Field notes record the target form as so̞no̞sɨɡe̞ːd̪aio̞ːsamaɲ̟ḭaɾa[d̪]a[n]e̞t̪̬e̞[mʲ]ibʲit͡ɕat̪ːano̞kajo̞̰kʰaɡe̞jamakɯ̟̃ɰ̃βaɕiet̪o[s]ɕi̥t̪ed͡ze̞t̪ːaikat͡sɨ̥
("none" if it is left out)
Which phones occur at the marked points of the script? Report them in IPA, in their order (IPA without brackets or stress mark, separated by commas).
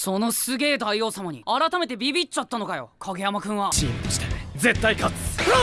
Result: t̪, m, bʲ, none